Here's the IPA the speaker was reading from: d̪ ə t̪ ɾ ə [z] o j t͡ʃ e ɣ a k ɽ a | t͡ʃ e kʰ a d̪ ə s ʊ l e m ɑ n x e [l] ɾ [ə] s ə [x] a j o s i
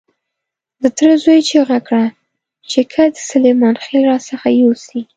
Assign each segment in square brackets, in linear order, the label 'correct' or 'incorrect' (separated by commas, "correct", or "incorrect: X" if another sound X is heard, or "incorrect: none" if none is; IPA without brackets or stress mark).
correct, correct, incorrect: ɑ, correct